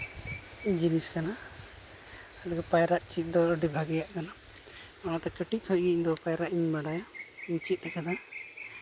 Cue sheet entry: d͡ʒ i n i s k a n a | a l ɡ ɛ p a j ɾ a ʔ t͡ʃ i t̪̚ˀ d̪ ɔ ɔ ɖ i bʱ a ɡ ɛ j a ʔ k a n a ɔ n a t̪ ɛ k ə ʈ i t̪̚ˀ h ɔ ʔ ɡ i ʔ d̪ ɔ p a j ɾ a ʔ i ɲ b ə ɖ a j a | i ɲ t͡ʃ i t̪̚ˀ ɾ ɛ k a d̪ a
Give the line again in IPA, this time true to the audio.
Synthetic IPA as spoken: d͡ʒ i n i s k a n a | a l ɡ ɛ p a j ɾ a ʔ t͡ʃ i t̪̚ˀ d̪ ɔ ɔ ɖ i bʱ a ɡ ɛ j a ʔ k a n a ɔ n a t̪ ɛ k ə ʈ i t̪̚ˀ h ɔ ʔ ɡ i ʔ d̪ ɔ p a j ɾ a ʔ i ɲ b a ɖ a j a | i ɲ t͡ʃ i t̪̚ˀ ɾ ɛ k a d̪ a